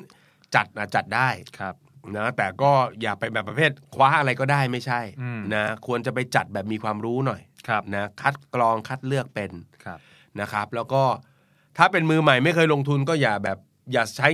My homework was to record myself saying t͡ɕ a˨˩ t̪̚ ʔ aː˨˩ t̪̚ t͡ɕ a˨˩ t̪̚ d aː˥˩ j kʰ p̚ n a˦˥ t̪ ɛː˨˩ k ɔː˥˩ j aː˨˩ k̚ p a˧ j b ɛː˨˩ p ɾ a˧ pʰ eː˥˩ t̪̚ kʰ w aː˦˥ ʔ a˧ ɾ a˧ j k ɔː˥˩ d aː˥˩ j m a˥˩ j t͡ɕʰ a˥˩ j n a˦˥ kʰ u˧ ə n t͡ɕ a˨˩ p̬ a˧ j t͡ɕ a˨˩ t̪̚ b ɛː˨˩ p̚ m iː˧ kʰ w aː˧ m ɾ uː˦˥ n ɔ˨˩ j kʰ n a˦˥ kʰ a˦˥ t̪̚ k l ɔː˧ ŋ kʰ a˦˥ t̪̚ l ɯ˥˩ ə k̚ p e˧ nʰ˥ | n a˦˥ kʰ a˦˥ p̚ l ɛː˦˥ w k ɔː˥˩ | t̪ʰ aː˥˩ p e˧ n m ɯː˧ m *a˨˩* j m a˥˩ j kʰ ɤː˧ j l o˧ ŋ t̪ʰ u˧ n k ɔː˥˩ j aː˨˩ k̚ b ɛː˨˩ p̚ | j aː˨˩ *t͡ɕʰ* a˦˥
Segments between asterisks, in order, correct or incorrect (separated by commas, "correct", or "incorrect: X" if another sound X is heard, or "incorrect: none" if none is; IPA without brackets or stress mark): correct, correct